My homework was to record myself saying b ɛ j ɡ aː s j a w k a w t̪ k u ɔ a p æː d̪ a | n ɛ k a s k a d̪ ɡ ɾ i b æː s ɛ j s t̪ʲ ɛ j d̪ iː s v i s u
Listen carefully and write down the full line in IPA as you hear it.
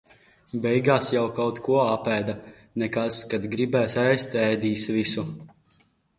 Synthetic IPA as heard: b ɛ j ɡ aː s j a w k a w t̪ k u ɔ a p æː d̪ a | n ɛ k a s k a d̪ ɡ ɾ i b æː s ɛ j s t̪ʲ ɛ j d̪ iː s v i s u